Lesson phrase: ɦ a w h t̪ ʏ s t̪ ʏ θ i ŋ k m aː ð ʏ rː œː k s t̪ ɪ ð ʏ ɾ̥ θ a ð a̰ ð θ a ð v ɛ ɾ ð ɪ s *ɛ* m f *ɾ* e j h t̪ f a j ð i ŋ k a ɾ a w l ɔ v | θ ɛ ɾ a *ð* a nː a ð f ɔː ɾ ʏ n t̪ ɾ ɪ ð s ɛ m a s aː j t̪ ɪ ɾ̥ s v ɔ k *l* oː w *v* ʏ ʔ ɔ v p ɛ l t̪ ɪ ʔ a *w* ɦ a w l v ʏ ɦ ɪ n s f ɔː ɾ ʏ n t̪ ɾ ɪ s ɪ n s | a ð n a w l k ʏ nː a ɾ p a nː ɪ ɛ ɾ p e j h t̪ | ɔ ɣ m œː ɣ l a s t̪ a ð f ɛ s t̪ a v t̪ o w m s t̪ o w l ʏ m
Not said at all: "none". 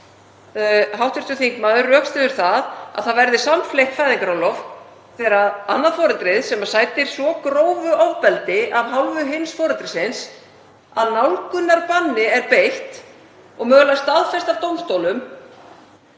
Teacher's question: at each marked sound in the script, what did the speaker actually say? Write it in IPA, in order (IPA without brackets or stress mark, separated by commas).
a, l, ð, ɾ, v, v